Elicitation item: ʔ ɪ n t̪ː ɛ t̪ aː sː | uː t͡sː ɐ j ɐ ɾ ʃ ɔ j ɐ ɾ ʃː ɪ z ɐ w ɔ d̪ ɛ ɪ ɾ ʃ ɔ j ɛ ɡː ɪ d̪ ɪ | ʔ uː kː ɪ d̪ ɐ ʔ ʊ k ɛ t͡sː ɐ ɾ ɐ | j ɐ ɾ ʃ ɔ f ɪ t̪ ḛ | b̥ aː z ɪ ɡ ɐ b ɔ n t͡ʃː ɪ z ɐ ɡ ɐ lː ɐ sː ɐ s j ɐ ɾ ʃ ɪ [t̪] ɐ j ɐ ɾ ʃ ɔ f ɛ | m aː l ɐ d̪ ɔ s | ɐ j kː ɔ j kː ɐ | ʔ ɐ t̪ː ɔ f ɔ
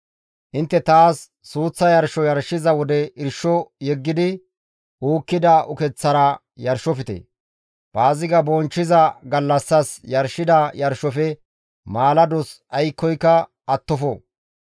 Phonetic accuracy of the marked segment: incorrect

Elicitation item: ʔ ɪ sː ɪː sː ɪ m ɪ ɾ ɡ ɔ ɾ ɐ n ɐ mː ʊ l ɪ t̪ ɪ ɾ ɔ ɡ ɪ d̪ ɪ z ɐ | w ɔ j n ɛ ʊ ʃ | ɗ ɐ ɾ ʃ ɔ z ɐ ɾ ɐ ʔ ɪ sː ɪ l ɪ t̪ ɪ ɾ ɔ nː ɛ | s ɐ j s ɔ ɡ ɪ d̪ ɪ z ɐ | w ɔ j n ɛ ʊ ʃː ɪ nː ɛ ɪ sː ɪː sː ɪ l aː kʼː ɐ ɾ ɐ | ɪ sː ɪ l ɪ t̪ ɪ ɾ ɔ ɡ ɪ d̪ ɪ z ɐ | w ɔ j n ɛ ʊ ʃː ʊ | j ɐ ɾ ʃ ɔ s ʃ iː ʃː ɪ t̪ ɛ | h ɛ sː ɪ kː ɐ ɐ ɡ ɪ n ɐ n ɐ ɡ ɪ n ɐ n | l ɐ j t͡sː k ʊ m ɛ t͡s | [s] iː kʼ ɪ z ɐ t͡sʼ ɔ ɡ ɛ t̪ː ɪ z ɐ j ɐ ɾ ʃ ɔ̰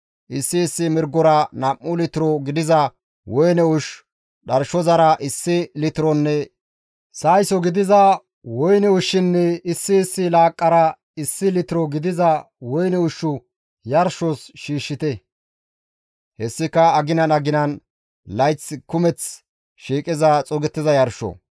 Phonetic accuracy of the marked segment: incorrect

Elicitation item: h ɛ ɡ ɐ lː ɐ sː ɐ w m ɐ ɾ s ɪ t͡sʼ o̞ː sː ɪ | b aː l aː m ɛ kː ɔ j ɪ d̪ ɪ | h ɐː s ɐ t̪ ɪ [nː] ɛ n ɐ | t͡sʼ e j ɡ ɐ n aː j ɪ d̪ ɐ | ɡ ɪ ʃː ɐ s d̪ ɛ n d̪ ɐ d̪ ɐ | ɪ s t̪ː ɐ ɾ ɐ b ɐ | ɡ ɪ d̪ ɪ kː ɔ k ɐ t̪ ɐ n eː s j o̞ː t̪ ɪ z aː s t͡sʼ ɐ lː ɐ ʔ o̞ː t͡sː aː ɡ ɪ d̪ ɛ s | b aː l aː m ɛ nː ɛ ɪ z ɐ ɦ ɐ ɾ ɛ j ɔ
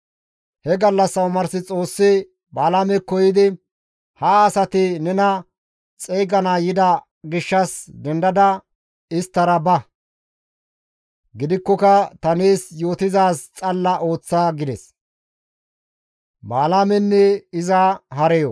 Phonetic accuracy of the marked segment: incorrect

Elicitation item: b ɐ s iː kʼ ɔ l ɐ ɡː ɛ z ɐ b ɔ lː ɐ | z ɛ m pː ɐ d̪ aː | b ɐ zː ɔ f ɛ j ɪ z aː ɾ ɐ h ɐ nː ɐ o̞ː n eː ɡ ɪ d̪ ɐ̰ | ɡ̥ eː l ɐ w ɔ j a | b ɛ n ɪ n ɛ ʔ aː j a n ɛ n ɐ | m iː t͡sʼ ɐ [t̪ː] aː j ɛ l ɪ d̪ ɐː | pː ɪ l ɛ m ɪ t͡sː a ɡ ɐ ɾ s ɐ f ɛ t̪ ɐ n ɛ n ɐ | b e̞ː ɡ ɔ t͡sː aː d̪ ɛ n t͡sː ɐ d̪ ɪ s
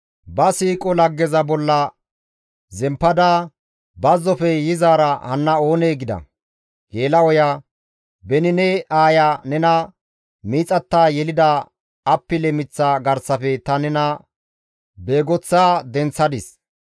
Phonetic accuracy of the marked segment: correct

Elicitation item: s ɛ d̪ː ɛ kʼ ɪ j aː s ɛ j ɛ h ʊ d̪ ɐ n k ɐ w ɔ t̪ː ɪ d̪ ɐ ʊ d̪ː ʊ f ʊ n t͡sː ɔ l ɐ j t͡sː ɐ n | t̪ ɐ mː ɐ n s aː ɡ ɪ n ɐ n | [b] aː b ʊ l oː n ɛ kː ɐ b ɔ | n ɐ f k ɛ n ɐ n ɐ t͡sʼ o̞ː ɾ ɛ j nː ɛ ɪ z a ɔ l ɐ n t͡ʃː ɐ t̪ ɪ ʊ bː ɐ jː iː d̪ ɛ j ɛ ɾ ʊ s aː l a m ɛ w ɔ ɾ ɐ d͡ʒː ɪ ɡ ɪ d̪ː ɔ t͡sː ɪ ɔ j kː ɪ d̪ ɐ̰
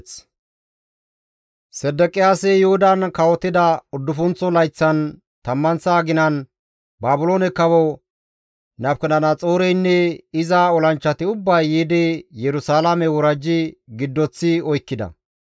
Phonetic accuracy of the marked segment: correct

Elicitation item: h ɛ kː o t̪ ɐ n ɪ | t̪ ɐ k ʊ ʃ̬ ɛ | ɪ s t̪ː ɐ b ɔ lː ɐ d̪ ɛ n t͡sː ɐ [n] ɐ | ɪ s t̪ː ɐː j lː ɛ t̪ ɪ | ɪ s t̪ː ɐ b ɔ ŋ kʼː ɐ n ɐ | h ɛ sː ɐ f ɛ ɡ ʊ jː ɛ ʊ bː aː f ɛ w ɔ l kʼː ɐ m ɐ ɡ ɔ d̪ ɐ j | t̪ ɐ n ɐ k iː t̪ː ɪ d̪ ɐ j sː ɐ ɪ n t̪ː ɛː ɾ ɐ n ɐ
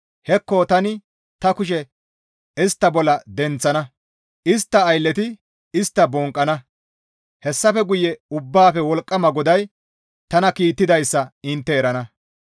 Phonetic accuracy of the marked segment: correct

